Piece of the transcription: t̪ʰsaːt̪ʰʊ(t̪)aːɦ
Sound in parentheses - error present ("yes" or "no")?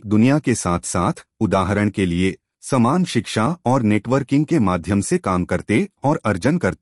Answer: yes